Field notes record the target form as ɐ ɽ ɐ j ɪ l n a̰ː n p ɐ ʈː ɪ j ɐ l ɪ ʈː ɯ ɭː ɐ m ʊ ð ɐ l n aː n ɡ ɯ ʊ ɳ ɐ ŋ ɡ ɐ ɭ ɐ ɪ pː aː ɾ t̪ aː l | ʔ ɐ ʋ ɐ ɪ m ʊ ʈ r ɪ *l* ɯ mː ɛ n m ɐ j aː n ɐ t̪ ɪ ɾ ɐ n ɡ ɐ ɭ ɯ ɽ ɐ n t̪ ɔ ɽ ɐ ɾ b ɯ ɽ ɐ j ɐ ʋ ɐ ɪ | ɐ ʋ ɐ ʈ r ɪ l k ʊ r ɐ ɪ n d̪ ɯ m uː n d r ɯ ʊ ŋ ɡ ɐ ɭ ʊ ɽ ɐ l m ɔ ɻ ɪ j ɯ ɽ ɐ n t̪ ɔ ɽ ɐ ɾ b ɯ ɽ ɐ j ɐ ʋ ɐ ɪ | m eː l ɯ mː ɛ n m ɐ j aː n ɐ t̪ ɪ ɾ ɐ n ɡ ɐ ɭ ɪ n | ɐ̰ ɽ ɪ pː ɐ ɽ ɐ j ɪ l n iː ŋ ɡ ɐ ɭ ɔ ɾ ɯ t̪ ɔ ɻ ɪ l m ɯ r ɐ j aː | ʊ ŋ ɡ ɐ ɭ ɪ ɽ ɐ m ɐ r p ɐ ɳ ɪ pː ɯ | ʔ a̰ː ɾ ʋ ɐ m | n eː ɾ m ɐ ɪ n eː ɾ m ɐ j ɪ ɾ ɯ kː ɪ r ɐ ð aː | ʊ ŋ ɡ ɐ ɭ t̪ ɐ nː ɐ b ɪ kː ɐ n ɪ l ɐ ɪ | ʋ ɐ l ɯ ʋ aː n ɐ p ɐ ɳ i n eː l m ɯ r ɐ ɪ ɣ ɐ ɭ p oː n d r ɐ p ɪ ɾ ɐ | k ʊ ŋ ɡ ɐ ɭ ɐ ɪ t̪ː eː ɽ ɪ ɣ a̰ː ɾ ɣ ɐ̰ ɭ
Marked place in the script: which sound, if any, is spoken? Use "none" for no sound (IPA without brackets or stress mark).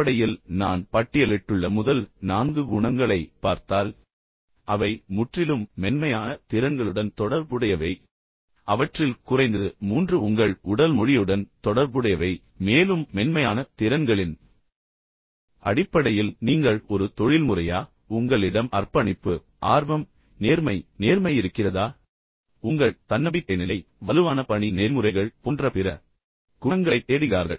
l